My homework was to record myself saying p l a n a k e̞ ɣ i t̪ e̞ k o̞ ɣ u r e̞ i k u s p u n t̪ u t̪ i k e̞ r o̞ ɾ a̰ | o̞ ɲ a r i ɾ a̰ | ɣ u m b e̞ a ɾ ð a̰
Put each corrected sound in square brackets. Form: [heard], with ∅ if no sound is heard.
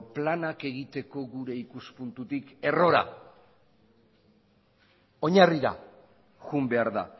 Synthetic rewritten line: p l a n a k e̞ ɣ i t̪ e̞ k o̞ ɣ u [ɾ] e̞ i k u s p u n t̪ u t̪ i k e̞ r o̞ ɾ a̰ | o̞ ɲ a r i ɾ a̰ | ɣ u m b e̞ a ɾ ð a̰